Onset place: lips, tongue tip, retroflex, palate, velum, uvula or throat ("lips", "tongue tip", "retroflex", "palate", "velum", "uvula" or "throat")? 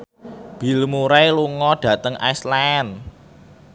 lips